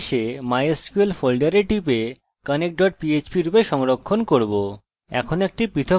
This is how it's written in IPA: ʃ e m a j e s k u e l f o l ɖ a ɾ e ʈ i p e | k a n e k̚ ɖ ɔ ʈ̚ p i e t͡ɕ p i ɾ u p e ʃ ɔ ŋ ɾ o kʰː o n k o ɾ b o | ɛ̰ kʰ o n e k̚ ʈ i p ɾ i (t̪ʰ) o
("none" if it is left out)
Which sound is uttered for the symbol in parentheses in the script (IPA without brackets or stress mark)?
t̪ʰ